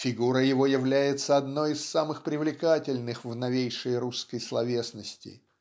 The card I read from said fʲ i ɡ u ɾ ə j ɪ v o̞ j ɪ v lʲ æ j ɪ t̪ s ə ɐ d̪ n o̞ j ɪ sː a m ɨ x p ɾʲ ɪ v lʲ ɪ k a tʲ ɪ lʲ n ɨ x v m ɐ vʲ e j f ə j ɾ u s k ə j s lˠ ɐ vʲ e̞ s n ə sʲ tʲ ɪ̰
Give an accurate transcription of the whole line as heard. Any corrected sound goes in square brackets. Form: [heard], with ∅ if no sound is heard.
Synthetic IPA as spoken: fʲ [ɪ] ɡ u ɾ ə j ɪ v o̞ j ɪ v lʲ æ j ɪ t̪ s ə ɐ d̪ n o̞ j ɪ sː a m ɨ x p ɾʲ ɪ v lʲ ɪ k a tʲ ɪ lʲ n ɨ x v [n] ɐ vʲ e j [ʂ] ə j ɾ u s k ə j s lˠ ɐ vʲ e̞ s n ə sʲ tʲ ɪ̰